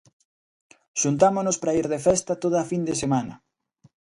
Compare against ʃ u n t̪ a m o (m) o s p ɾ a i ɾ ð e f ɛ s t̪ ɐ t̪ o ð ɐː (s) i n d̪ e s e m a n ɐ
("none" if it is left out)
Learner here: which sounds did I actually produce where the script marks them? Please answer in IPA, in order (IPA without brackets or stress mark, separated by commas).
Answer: n, f